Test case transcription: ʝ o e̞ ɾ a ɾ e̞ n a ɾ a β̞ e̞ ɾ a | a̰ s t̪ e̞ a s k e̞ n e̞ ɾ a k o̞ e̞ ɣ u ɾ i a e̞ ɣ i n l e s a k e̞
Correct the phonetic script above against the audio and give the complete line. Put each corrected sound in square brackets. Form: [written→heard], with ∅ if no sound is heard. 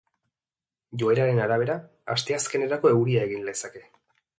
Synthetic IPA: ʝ o e̞ ɾ a ɾ e̞ n a ɾ a β̞ e̞ ɾ a | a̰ s t̪ e̞ a s k e̞ n e̞ ɾ a k o̞ e̞ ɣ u ɾ i a e̞ ɣ i n l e s a k e̞